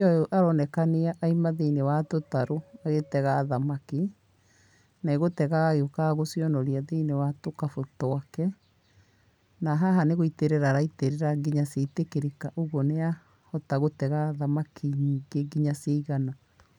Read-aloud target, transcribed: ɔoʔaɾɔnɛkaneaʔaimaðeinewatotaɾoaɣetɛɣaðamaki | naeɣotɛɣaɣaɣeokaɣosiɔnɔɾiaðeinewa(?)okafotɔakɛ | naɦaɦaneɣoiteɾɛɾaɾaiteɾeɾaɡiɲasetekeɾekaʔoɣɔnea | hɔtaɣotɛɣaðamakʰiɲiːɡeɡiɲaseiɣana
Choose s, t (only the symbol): t